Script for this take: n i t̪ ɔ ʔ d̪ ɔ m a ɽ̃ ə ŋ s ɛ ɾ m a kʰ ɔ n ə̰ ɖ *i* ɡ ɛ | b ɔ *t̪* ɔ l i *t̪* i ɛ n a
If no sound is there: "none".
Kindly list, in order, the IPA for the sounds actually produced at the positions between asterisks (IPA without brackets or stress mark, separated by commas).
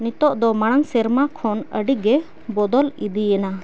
i, d̪, d̪